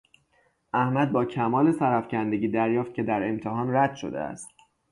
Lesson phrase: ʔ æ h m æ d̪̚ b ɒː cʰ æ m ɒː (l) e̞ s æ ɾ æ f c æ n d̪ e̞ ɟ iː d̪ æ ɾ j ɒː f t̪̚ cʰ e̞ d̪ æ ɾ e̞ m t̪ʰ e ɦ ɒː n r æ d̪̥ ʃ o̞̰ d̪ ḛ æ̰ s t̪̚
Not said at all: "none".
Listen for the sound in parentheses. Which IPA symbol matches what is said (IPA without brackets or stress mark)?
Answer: l